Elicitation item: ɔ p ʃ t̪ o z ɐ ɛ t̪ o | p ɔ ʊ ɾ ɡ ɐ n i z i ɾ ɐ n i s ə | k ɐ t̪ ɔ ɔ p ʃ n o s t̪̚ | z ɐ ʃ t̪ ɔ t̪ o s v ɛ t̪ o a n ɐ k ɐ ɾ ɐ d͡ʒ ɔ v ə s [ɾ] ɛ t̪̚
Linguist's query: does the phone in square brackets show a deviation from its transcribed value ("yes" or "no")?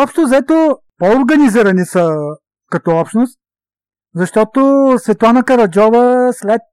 yes